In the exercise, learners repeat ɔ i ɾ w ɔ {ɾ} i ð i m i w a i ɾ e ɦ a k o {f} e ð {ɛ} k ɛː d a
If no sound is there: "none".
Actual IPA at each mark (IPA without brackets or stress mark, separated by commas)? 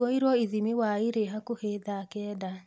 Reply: none, h, a